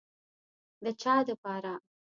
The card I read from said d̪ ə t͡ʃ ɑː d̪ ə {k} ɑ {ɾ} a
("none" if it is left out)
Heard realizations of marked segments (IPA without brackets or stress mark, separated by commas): p, ɾ